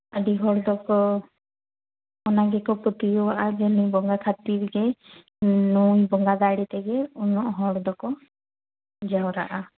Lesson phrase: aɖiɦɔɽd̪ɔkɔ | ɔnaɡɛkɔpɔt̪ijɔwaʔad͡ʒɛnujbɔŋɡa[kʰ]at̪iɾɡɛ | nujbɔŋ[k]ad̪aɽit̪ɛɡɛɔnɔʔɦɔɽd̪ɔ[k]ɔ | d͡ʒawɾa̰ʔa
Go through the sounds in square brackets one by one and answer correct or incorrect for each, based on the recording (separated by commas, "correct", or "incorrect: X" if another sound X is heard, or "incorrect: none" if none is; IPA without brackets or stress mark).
correct, incorrect: ɡ, correct